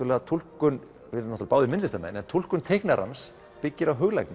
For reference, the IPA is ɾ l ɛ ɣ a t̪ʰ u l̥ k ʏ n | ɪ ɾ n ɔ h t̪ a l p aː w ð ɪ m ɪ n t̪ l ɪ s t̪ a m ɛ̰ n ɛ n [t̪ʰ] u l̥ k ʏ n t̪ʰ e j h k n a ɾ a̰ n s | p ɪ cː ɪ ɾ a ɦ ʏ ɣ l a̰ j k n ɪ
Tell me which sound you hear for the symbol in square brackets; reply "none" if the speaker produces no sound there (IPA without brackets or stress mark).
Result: t̪ʰ